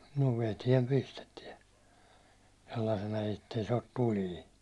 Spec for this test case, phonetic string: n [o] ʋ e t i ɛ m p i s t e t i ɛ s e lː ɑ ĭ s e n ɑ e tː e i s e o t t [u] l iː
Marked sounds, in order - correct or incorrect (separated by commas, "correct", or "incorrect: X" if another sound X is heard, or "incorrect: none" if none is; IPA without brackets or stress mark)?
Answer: correct, correct